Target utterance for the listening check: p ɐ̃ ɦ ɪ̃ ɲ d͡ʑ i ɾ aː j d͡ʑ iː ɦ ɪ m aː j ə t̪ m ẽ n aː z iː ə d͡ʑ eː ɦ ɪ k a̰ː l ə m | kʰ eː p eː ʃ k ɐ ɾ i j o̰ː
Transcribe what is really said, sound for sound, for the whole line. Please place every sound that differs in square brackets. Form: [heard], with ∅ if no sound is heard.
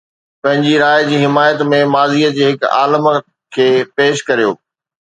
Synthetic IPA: p ɐ̃ ɦ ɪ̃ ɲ d͡ʑ i ɾ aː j d͡ʑ iː ɦ ɪ m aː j ə t̪ m ẽ [m] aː z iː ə d͡ʑ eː ɦ ɪ k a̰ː l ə m | kʰ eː p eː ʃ k ɐ ɾ i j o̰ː